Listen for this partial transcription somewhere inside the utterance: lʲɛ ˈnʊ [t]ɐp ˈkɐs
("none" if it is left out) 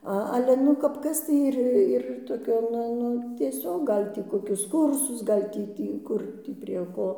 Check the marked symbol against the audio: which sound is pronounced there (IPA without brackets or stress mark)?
k